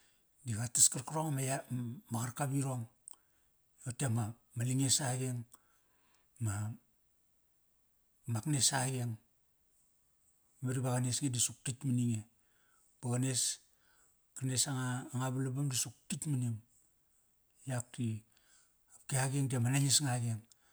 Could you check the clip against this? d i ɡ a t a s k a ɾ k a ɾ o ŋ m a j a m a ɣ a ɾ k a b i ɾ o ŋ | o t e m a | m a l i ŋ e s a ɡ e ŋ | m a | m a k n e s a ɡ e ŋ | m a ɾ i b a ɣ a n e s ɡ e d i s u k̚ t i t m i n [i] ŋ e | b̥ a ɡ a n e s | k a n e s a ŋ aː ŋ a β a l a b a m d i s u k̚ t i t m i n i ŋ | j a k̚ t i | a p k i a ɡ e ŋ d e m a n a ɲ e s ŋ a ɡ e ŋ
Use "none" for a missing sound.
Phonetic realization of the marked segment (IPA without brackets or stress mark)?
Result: i